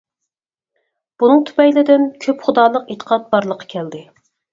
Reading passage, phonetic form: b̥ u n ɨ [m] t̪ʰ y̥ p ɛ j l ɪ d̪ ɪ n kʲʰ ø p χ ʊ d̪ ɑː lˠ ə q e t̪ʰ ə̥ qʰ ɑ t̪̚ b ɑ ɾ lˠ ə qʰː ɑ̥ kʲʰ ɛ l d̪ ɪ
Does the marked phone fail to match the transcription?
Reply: yes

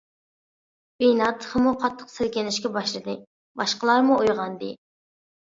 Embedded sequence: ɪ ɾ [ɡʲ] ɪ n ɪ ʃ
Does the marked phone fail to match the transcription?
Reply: yes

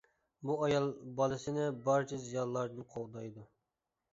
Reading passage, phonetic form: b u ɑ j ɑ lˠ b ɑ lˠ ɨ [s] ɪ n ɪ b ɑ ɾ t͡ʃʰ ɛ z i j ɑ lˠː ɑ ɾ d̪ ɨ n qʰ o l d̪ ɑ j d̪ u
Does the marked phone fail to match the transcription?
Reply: no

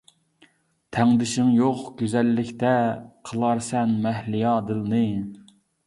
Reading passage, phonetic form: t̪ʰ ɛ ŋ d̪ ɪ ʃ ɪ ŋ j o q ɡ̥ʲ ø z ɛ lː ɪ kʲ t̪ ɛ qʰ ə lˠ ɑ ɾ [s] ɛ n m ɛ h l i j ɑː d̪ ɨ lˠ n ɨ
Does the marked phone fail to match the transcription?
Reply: no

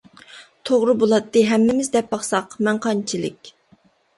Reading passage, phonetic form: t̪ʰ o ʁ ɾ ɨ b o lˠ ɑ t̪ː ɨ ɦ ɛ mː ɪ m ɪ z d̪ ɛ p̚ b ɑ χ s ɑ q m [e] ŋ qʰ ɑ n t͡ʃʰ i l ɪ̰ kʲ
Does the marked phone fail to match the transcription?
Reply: yes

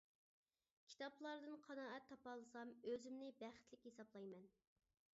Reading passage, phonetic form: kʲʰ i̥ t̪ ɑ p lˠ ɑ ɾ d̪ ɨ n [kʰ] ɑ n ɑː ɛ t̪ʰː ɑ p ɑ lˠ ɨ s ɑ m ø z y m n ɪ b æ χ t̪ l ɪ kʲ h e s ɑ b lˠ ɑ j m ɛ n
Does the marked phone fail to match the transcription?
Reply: yes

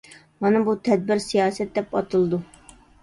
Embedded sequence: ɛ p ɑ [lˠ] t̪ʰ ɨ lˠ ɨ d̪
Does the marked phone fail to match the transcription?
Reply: yes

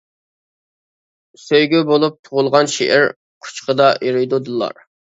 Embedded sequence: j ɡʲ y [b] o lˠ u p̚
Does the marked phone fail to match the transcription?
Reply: no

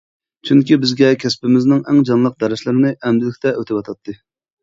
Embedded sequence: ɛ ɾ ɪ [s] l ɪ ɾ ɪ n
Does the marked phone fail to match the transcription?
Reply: yes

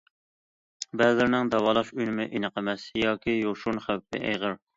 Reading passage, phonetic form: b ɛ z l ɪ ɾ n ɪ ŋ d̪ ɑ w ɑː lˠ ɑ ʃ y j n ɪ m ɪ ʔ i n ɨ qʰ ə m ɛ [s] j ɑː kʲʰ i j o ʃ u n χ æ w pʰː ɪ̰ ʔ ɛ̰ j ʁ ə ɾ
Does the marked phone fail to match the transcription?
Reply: no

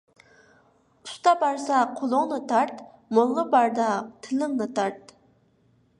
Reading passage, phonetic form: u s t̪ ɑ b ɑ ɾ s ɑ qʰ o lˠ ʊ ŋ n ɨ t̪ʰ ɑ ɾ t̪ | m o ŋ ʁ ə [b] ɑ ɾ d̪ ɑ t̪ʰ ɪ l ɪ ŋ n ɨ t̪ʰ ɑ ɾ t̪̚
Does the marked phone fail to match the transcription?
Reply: no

